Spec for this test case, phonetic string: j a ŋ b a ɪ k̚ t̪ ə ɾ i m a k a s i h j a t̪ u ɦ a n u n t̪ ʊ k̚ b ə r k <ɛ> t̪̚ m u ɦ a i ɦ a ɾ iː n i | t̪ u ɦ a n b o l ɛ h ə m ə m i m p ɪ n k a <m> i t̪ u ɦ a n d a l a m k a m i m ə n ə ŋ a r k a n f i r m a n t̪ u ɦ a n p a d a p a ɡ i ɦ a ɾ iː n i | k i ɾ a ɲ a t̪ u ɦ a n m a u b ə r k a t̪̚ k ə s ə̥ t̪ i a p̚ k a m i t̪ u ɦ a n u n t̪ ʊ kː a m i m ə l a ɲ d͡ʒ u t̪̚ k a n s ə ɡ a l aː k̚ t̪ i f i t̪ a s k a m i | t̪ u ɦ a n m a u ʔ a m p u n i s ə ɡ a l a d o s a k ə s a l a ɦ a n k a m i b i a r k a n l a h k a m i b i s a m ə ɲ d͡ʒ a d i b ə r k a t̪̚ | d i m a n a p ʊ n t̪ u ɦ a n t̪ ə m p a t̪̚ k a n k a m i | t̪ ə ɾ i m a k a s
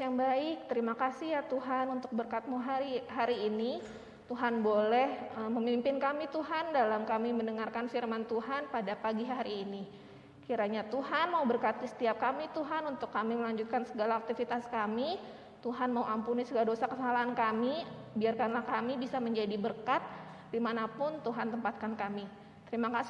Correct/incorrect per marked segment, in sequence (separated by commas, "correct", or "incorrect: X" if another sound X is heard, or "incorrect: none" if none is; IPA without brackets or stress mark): incorrect: a, correct